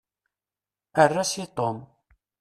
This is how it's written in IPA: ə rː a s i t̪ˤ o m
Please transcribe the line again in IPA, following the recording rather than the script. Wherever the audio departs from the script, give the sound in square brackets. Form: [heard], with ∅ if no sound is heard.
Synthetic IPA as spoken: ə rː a s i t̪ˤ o m